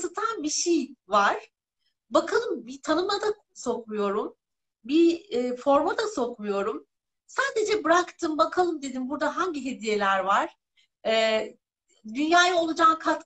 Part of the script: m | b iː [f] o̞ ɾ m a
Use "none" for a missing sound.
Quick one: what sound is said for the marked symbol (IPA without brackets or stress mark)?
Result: f